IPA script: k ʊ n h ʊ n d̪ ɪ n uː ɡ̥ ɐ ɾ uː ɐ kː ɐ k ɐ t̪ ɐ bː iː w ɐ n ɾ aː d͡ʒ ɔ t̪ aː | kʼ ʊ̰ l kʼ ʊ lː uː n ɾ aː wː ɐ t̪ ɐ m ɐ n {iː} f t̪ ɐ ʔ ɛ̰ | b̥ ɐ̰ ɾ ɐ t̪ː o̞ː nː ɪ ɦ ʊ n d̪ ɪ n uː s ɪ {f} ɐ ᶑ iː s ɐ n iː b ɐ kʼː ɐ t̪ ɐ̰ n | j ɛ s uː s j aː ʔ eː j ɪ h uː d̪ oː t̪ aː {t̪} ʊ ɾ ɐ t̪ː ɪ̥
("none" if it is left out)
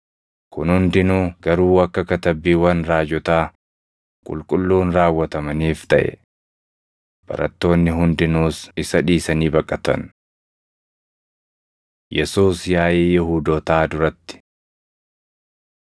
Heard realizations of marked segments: iː, s, d̪

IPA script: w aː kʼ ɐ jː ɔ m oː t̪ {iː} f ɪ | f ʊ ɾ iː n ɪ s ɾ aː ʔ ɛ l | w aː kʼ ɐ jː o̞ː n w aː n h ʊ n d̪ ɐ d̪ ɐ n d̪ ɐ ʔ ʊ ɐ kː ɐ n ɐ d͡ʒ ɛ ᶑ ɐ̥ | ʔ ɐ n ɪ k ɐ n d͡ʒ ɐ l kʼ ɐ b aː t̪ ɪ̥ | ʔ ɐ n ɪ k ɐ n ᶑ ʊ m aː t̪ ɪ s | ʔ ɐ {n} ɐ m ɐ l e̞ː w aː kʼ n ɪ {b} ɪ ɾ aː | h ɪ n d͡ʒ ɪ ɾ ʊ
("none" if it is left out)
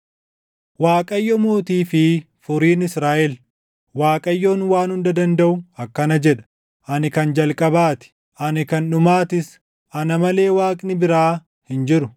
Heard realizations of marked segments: iː, n, b

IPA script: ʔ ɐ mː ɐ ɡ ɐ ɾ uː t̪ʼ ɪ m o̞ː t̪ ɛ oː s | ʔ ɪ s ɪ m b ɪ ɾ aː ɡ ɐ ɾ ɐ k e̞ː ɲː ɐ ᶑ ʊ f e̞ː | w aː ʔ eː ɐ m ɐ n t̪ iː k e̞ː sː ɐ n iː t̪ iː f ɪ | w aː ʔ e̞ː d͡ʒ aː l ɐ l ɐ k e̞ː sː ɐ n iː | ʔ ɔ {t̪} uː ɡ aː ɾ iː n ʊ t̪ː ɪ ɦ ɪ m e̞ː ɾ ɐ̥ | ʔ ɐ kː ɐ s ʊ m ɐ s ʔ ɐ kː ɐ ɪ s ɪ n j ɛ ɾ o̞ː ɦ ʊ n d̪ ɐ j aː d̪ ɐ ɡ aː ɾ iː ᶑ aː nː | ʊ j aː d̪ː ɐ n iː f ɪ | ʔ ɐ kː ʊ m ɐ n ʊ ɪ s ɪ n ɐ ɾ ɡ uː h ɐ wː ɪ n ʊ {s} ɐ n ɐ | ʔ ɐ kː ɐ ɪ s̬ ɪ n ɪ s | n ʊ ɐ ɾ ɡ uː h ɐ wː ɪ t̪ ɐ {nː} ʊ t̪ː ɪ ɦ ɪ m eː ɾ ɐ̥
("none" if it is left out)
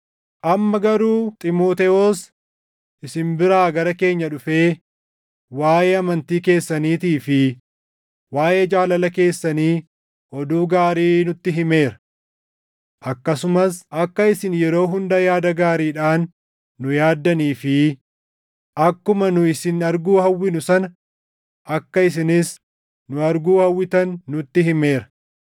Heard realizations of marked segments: d̪, s, nː

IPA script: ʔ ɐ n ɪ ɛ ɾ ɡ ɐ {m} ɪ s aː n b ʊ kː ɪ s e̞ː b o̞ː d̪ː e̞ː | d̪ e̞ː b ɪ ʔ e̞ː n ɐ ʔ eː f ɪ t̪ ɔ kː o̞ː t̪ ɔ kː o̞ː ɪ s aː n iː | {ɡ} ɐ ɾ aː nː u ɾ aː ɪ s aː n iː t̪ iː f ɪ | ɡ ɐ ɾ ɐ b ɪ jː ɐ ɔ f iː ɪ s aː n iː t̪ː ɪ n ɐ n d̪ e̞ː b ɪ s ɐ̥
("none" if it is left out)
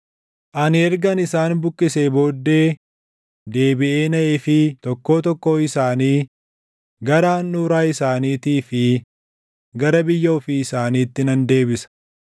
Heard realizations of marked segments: n, ɡ

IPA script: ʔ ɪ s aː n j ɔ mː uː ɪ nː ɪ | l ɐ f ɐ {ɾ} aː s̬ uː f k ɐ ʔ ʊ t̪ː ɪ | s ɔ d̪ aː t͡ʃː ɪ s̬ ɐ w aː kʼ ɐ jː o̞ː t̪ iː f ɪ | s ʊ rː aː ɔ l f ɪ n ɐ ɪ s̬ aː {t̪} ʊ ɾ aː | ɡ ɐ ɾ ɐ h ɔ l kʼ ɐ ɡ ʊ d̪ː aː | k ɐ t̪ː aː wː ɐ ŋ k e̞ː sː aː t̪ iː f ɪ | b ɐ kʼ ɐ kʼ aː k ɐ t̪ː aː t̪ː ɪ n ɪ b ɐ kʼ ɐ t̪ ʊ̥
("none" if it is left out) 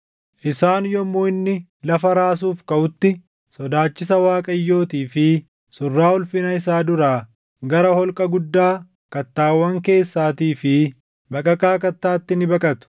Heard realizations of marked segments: ɾ, d̪

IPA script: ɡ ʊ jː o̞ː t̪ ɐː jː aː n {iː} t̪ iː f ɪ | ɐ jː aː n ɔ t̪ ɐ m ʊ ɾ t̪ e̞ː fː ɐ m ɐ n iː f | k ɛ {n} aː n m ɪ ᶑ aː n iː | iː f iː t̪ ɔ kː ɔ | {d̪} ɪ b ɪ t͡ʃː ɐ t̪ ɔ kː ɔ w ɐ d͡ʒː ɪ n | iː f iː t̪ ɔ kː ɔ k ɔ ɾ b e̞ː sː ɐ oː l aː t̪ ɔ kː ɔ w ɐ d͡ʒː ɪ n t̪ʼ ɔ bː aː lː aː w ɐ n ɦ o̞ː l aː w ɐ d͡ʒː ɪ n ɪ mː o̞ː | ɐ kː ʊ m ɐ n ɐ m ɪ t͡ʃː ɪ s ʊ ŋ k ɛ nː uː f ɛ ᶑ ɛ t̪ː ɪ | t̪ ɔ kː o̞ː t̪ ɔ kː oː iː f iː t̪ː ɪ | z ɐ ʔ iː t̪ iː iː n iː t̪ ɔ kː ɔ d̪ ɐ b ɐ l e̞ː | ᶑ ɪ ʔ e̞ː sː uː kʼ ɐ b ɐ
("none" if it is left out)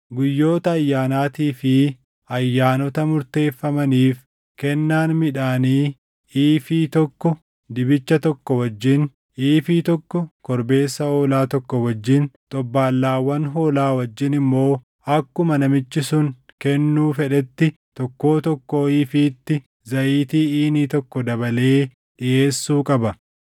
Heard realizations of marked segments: aː, nː, d̪

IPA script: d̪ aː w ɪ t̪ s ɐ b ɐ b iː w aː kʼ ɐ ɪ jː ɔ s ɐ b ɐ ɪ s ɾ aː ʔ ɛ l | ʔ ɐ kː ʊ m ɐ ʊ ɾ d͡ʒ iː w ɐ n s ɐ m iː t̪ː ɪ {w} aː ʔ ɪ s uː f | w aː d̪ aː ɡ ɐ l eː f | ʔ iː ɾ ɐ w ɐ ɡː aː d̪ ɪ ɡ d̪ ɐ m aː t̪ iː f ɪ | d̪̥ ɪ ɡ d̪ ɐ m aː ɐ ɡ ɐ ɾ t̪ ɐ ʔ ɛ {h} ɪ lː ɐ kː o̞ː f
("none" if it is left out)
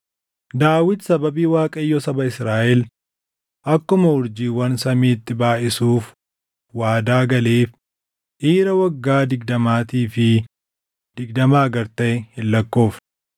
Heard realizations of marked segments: b, h

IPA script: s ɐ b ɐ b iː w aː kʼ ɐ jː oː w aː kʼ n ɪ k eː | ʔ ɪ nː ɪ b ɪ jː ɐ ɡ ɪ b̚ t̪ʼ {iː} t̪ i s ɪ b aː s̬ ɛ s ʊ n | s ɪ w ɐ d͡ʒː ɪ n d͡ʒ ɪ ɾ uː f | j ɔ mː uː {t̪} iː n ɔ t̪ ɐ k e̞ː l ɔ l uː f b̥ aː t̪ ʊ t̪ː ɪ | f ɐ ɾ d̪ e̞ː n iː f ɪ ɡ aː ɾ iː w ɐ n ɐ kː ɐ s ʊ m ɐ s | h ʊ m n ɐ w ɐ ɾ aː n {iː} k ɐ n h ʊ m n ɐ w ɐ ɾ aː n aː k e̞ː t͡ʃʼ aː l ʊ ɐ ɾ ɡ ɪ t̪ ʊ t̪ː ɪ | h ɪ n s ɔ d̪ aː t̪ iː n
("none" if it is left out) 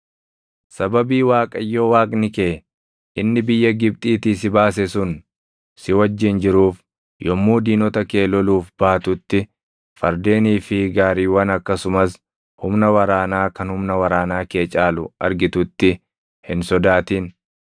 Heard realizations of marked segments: iː, d̪, aː

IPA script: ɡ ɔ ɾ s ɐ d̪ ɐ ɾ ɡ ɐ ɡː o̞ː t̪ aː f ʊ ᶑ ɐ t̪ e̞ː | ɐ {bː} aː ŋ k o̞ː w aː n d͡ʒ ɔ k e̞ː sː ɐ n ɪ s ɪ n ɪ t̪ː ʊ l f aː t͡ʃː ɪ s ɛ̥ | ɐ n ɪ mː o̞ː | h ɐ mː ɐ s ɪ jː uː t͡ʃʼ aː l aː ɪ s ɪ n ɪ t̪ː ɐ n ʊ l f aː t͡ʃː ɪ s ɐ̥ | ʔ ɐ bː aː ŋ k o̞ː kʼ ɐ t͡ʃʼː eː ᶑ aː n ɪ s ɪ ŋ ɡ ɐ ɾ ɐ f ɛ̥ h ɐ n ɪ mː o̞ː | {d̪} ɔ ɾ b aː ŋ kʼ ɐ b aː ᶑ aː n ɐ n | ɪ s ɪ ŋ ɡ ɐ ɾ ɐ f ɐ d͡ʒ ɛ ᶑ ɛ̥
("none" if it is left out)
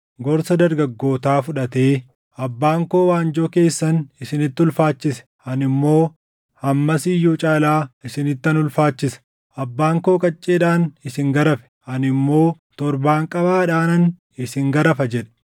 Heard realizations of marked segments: bː, t̪

